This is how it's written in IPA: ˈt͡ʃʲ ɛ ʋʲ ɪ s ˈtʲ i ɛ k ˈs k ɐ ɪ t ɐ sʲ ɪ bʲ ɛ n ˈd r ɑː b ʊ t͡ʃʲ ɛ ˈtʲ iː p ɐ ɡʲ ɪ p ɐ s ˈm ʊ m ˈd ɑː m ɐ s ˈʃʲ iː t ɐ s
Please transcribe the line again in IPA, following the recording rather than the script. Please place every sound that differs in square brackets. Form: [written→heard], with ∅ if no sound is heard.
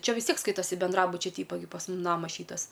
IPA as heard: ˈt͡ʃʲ ɛ ʋʲ ɪ s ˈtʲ i ɛ k ˈs k ɐ ɪ t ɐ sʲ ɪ bʲ ɛ n ˈd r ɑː b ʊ t͡ʃʲ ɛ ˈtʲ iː p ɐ ɡʲ ɪ p ɐ s ˈm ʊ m [ˈd→ˈn] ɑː m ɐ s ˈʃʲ iː t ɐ s